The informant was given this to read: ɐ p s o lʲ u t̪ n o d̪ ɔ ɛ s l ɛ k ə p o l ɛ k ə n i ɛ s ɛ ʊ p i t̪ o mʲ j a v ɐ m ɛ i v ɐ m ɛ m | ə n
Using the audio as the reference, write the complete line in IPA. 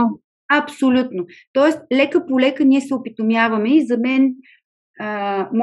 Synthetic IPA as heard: ɐ p s o lʲ u t̪ n o t̪ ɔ ɛ s l ɛ k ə p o l ɛ k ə n i ɛ s ɛ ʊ p i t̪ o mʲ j a v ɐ m ɛ i z ɐ m ɛ n | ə m